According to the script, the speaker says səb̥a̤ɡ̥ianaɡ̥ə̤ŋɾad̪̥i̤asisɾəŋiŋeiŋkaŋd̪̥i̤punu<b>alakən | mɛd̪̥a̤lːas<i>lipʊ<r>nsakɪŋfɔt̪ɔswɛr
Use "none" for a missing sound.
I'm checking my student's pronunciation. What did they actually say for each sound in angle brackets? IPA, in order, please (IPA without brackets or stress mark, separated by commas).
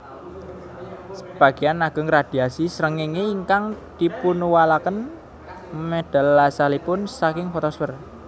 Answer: w, a, none